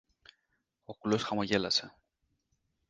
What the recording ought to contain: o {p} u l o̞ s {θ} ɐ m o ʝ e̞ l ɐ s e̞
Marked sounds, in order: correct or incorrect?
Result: incorrect: k, incorrect: x

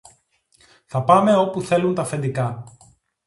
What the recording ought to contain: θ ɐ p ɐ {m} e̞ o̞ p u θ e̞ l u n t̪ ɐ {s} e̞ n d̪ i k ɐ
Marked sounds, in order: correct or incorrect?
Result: correct, incorrect: f

